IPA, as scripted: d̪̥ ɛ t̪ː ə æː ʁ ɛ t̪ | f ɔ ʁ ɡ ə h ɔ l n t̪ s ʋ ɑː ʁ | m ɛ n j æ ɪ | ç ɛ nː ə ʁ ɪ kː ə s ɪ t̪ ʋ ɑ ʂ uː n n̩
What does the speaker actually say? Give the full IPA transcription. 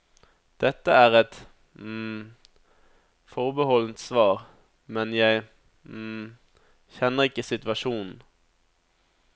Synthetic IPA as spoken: d̪̥ ɛ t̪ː ə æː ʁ ɛ t̪ | f ɔ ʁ b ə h ɔ l n t̪ s ʋ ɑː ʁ | m ɛ n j æ ɪ | ç ɛ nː ə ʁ ɪ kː ə s ɪ t̪ ʋ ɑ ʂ uː n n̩